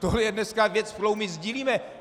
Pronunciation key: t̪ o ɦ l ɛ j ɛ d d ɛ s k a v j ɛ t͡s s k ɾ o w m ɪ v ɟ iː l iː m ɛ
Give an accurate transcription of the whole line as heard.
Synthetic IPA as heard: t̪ o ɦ l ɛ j ɛ d n ɛ s k a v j ɛ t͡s f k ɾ o w m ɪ z ɟ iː l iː m ɛ